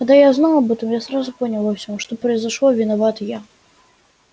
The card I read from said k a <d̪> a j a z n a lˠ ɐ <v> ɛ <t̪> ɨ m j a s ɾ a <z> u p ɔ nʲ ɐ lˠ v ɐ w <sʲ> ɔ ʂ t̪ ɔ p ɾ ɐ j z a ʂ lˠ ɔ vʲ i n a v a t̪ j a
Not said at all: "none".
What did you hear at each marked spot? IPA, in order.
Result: d̪, b, t̪, z, sʲ

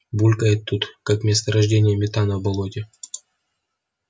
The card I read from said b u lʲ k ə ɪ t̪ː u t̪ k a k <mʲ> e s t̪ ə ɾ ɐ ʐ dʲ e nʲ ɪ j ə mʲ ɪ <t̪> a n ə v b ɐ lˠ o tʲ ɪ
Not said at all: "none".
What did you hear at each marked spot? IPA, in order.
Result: mʲ, t̪

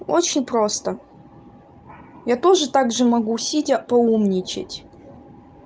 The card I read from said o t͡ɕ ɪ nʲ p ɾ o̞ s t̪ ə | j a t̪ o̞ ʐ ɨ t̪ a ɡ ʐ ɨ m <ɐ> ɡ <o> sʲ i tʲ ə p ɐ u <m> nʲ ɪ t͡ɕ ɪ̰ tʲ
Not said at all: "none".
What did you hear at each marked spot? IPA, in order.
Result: ɐ, u, m

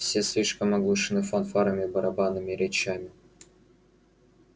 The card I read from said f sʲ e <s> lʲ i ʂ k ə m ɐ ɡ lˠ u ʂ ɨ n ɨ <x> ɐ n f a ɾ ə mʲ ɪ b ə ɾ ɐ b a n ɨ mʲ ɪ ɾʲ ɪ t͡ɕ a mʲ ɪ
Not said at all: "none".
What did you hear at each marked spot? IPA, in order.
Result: s, f

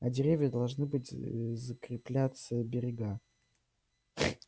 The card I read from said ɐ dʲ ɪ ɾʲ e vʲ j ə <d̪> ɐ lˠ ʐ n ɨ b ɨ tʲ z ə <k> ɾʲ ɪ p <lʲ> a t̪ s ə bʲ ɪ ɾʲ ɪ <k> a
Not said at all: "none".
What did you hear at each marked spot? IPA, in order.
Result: d̪, k, lʲ, ɡ

